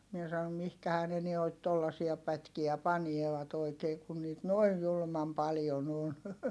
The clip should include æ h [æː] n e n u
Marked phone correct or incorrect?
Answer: correct